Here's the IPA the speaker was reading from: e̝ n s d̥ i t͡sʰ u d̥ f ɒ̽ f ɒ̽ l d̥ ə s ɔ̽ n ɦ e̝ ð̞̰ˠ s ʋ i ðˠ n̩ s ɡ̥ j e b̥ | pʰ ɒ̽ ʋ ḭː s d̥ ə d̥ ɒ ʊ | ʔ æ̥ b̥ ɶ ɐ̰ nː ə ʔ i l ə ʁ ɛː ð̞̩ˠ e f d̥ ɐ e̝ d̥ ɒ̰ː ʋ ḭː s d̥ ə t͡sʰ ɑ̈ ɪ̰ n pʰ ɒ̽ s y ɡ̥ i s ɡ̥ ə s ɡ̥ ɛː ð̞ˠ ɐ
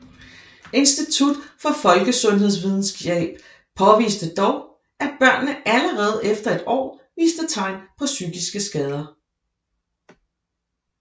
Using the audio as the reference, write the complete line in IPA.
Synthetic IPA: e̝ n s d̥ i t͡sʰ u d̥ f ɒ̽ f ɒ̽ l ɡ̥ ə s ɔ̽ n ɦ e̝ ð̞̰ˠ s ʋ i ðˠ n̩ s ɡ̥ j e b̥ | pʰ ɒ̽ ʋ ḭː s d̥ ə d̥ ɒ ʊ | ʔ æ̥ b̥ ɶ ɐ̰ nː ə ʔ æ l ə ʁ ɛː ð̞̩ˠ e f d̥ ɐ e̝ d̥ ɒ̰ː ʋ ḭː s d̥ ə t͡sʰ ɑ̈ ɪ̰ n pʰ ɒ̽ s y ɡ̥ i s ɡ̥ ə s ɡ̥ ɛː ð̞ˠ ɐ